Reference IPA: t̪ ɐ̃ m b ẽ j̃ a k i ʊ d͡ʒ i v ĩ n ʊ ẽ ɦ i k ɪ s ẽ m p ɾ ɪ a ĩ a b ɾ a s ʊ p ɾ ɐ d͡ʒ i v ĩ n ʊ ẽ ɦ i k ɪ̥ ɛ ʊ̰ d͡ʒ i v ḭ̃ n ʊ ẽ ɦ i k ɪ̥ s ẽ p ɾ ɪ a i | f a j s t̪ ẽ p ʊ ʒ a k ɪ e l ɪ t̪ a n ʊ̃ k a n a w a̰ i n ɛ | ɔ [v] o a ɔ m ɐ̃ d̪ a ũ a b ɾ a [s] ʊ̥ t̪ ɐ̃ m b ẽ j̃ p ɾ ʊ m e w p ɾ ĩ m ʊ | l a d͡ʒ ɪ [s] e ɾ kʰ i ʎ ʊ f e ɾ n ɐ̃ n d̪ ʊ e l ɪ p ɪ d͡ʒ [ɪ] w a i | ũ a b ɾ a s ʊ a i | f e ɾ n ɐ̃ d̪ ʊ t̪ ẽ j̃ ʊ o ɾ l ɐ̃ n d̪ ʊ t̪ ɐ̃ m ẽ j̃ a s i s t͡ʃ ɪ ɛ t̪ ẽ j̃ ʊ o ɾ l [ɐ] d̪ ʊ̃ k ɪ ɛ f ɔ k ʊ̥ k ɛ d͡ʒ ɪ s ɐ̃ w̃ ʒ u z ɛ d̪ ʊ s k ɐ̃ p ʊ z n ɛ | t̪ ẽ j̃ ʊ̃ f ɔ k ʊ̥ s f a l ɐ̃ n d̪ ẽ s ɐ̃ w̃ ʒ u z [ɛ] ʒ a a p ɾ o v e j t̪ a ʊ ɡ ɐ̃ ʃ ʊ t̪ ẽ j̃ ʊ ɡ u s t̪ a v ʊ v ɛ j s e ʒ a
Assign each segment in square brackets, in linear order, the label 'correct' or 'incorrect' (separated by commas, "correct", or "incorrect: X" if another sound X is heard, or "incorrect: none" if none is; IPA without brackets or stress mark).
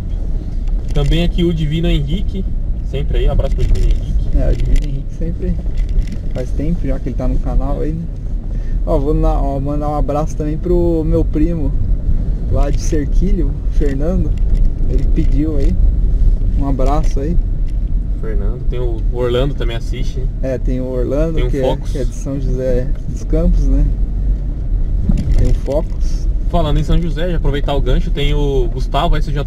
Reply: correct, correct, correct, incorrect: i, incorrect: ɐ̃, correct